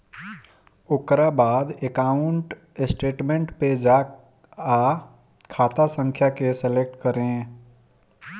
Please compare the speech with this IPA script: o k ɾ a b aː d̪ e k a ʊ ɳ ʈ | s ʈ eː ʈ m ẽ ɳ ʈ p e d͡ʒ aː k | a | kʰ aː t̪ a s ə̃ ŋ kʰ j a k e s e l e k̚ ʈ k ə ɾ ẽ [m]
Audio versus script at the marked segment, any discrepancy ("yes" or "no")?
yes